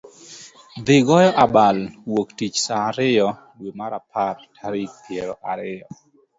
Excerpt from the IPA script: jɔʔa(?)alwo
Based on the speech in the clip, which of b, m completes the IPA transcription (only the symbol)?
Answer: b